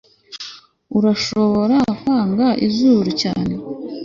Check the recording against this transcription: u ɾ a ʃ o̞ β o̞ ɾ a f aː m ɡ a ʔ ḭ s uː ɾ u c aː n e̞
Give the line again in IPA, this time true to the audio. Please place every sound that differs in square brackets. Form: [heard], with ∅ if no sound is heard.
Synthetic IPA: u ɾ a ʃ o̞ β o̞ ɾ a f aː [ŋ] ɡ a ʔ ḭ [z] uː ɾ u c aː n e̞